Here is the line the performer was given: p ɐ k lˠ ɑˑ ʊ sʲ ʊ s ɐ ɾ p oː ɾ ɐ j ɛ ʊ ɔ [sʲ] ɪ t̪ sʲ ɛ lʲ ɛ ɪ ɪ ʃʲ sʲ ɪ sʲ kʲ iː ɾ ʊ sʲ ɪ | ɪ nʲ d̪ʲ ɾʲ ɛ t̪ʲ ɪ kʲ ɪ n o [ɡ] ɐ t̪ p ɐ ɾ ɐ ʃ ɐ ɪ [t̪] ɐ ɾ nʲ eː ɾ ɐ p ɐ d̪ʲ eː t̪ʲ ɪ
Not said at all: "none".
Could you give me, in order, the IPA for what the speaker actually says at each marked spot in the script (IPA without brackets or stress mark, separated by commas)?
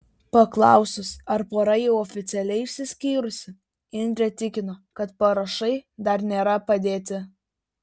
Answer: fʲ, k, d̪